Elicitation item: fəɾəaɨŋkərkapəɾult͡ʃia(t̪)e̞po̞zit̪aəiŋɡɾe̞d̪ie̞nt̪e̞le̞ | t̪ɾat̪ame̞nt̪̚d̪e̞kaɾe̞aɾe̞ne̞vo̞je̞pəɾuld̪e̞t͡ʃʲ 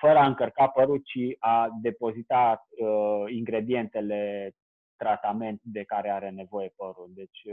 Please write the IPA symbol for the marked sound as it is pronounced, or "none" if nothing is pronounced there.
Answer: d̪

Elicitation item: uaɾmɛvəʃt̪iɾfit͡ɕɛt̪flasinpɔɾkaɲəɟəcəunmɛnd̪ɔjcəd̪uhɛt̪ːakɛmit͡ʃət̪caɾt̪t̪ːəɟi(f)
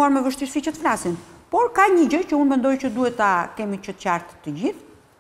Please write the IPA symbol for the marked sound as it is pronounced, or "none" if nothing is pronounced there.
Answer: θ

